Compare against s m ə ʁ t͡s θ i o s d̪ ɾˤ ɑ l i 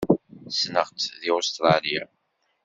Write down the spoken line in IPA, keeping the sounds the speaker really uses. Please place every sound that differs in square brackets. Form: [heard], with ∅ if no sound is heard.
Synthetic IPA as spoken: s [n] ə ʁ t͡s [ð] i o s [t̪] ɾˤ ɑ l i